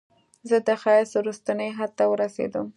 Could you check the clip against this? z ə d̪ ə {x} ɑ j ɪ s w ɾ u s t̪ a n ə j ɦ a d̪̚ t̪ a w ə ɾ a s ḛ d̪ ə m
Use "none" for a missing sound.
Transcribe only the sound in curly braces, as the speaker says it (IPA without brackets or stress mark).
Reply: x